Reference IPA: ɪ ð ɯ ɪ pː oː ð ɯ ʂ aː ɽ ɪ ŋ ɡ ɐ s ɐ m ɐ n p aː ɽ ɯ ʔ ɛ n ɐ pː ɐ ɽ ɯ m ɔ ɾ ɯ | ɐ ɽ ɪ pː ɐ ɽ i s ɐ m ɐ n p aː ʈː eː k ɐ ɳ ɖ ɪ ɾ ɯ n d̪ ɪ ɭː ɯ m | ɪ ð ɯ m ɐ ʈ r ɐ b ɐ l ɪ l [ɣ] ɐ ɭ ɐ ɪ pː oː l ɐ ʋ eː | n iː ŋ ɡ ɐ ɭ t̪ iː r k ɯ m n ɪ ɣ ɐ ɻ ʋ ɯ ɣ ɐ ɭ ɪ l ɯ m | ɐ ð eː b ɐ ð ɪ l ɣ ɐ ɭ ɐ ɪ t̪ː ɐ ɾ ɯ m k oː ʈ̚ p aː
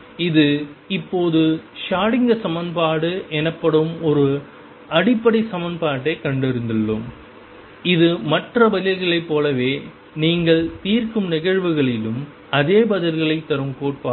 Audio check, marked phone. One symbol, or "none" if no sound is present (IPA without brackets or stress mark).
ɣ